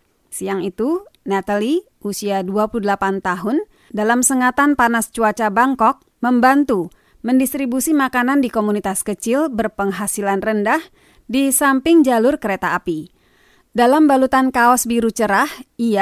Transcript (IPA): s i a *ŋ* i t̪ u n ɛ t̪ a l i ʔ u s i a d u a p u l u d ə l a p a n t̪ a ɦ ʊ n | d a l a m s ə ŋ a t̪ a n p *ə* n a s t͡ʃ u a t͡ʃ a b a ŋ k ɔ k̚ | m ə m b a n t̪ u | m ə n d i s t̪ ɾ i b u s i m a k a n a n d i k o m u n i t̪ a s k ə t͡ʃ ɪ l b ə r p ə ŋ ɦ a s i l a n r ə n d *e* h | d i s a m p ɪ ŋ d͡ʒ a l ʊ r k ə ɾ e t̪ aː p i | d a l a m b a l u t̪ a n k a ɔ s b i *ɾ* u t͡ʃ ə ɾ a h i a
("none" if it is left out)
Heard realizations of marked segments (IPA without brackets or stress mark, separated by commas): ŋ, a, a, ɾ